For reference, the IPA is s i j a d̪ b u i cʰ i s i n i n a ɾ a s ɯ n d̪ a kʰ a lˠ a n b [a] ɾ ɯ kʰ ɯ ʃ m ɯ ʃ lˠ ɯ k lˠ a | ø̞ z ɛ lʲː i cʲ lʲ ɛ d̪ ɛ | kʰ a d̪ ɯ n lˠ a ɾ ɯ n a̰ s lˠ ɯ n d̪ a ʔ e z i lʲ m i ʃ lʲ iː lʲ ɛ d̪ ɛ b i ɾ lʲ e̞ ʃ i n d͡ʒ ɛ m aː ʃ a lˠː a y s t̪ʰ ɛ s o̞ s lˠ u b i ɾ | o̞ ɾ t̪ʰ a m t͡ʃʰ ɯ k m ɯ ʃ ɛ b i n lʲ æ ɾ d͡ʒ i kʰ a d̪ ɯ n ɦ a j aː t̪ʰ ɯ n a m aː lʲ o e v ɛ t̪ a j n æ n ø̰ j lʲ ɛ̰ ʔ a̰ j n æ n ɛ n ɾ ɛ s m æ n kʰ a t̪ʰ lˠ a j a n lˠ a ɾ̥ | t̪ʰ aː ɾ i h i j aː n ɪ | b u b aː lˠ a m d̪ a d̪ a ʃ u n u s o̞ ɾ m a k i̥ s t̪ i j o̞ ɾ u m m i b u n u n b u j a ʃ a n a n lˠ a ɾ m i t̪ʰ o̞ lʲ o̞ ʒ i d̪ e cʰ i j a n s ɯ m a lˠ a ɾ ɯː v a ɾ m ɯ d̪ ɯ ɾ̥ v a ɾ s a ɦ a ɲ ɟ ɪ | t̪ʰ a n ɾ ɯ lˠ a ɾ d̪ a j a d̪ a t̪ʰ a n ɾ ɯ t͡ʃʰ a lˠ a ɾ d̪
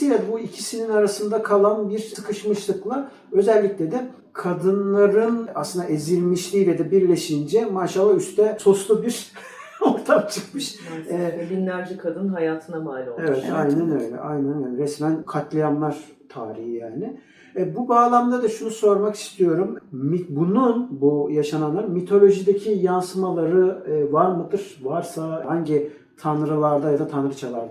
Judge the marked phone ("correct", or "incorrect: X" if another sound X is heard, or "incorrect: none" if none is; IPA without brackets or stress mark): incorrect: i